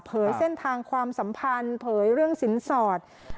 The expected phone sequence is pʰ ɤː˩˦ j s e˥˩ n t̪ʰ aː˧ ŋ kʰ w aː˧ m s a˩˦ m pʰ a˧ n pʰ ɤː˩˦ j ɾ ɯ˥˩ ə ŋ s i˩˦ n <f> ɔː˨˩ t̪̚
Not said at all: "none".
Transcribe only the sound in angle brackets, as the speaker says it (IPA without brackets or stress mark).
s